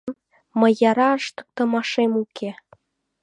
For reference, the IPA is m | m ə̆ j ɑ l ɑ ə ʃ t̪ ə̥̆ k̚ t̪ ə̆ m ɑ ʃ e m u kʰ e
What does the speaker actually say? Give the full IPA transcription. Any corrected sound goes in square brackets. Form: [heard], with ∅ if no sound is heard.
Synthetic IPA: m | m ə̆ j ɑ [ɾ] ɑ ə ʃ t̪ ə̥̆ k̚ t̪ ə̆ m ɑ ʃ e m u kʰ e